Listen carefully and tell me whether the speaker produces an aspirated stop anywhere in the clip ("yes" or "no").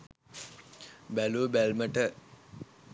no